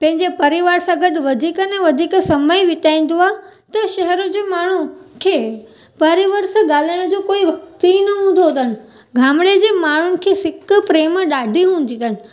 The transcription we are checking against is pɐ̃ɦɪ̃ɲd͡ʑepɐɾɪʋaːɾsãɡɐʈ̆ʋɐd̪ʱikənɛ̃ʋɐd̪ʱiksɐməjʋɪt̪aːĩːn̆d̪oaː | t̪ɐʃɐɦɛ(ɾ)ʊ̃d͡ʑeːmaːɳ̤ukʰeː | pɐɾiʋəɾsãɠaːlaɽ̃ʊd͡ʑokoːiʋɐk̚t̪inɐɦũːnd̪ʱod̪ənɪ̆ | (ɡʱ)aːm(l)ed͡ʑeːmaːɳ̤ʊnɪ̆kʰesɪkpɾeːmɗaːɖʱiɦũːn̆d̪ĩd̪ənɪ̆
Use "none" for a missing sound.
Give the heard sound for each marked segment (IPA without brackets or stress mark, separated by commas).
ɾ, ɡʱ, ɽ